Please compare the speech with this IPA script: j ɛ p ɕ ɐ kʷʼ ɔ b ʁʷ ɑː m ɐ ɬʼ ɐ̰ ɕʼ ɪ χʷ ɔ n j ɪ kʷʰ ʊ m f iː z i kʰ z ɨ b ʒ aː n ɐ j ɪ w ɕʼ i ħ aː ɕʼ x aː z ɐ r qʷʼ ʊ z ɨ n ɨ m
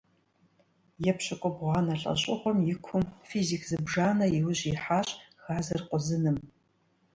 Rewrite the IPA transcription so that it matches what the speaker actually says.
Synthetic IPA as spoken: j ɛ p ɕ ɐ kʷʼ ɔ b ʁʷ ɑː n ɐ ɬʼ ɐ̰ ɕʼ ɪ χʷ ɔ m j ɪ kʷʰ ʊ m f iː z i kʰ z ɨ b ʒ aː n ɐ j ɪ w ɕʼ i ħ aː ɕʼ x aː z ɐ r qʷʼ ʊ z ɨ n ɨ m

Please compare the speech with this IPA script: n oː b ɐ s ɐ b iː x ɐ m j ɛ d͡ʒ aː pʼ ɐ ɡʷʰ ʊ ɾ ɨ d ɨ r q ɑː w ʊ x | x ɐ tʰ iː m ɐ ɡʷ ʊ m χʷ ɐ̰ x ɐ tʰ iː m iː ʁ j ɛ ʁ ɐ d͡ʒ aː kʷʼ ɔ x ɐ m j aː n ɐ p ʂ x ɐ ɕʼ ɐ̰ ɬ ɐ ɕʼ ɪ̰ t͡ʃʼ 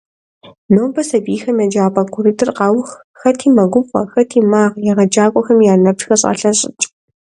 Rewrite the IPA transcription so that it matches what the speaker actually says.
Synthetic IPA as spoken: n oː b ɐ s ɐ b iː x ɐ m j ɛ d͡ʒ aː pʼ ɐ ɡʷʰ ʊ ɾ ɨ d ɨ r q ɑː w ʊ x | x ɐ tʰ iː m ɐ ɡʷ ʊ m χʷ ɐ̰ x ɐ tʰ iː m aː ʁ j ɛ ʁ ɐ d͡ʒ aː kʷʼ ɔ x ɐ m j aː n ɐ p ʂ x ɐ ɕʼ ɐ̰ ɬ ɐ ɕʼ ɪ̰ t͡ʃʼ

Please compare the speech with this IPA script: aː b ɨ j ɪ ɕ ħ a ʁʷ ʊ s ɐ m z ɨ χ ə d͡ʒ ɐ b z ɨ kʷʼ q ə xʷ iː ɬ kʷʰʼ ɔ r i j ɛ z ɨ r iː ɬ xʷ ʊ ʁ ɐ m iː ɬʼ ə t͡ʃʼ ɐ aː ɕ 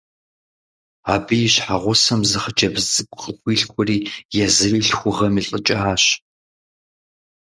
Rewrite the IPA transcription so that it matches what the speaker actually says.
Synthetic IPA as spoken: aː b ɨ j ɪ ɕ ħ a ʁʷ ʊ s ɐ m z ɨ χ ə d͡ʒ ɐ b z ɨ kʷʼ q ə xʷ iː ɬ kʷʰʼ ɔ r iː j ɛ z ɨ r iː ɬ xʷ ʊ ʁ ɐ m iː ɬʼ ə t͡ʃʼ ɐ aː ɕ

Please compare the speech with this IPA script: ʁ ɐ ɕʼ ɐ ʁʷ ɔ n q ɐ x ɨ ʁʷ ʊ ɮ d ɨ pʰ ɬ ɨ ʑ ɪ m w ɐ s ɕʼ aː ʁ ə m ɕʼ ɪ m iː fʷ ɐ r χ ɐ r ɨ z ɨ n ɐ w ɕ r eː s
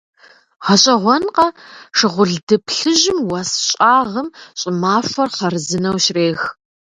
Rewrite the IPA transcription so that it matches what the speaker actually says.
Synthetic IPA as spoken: ʁ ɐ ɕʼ ɐ ʁʷ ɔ n q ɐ ʂ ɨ ʁʷ ʊ ɮ d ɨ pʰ ɬ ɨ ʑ ɪ m w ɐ s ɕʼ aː ʁ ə m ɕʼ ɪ m aː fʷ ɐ r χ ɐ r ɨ z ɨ n ɐ w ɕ r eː x

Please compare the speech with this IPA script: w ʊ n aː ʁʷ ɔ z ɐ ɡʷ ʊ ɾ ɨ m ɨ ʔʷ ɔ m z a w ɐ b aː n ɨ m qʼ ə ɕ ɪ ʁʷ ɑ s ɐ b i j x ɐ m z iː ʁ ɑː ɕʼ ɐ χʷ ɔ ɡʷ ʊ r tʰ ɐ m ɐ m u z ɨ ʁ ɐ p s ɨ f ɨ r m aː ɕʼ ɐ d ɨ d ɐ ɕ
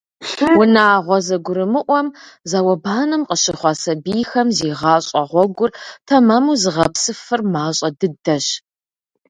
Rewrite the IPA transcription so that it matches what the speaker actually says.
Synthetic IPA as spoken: w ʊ n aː ʁʷ ɔ z ɐ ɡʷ ʊ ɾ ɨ m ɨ ʔʷ ɔ m z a w ɐ b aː n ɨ m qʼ ə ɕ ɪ χʷ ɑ s ɐ b i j x ɐ m z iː ʁ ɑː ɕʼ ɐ ʁʷ ɔ ɡʷ ʊ r tʰ ɐ m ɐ m u z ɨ ʁ ɐ p s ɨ f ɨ r m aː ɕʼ ɐ d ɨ d ɐ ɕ

